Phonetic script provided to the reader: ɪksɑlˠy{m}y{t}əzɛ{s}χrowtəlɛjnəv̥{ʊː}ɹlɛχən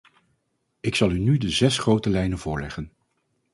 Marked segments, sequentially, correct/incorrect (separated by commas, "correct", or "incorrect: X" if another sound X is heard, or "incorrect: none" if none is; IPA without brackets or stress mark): incorrect: n, incorrect: d, correct, correct